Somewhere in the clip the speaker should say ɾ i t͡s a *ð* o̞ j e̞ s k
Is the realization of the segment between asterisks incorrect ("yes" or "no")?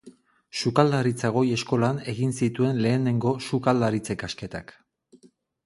yes